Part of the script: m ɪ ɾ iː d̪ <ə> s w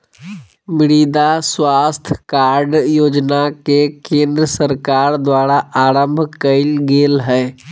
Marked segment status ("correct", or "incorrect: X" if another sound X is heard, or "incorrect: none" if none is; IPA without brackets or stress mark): incorrect: a